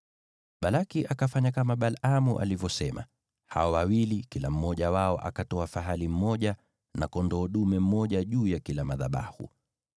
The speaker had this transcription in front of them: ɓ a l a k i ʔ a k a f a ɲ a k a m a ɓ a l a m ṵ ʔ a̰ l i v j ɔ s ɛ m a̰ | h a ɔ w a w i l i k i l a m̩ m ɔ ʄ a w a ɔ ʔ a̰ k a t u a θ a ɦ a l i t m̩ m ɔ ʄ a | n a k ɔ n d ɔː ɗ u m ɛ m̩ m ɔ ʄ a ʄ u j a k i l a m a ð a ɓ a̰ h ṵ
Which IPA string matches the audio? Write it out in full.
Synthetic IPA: ɓ a l a k i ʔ a k a f a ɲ a k a m a ɓ a l a m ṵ ʔ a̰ l i v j ɔ s ɛ m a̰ | h a ɔ w a w i l i k i l a m̩ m ɔ ʄ a w a ɔ ʔ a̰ k a t ɔ a f a ɦ a l i m̩ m ɔ ʄ a | n a k ɔ n d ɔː ɗ u m ɛ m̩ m ɔ ʄ a ʄ uː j a k i l a m a ð a ɓ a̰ h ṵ